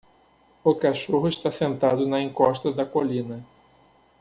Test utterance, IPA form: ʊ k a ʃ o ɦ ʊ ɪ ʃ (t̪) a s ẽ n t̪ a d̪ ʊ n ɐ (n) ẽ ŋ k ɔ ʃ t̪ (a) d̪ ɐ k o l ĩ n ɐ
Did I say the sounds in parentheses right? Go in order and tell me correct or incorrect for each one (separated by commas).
correct, incorrect, incorrect